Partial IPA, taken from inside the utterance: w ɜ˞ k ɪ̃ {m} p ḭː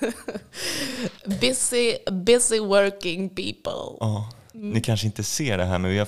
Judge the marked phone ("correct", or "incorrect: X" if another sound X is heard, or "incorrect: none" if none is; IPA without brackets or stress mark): incorrect: ŋ